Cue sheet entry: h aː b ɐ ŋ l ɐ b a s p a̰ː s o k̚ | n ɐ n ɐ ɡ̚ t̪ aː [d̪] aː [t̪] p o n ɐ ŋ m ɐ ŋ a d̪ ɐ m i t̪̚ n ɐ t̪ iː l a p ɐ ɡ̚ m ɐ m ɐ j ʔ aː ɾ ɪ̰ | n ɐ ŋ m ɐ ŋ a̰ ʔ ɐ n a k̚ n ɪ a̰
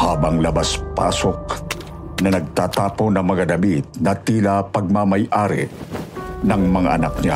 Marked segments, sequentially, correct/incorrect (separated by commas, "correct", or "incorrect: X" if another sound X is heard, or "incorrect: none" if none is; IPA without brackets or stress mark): incorrect: t̪, incorrect: none